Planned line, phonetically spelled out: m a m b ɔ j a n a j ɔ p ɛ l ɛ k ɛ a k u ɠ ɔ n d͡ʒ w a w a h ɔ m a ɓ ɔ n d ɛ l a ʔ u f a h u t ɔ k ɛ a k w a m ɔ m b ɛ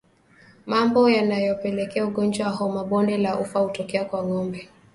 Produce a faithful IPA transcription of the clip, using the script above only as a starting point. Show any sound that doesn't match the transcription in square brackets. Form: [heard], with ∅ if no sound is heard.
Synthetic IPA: m a m b ɔ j a n a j ɔ p ɛ l ɛ k ɛ a [∅] u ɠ ɔ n d͡ʒ w a w a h ɔ m a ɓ ɔ n d ɛ l a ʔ u f a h u t ɔ k ɛ a k w a [ŋ] ɔ m b ɛ